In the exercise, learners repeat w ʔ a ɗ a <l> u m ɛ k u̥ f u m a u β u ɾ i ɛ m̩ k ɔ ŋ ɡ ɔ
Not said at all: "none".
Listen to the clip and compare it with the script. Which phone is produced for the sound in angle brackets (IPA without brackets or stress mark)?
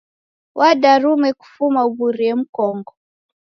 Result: ɾ